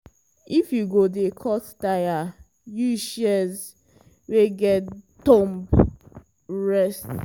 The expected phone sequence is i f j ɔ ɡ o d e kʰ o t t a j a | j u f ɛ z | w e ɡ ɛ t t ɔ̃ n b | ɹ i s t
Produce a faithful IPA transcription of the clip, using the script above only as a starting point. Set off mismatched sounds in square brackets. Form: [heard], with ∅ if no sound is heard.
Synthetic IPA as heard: i f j [u] ɡ o d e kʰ [ɔ] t t a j a | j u [ʃ] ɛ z | w e ɡ ɛ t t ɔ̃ [m] b | ɹ [ɛ] s t